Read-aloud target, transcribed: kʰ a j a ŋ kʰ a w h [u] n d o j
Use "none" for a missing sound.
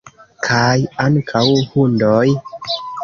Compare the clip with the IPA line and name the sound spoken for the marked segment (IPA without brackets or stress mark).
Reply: u